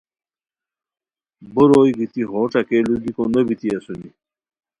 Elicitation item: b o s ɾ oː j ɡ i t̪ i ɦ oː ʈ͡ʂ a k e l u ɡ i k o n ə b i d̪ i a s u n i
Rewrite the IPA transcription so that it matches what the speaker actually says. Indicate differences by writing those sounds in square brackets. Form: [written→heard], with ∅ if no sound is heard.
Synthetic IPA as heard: b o [s→∅] ɾ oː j ɡ i t̪ i ɦ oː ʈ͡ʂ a k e l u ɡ i k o n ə b i [d̪→t̪] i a s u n i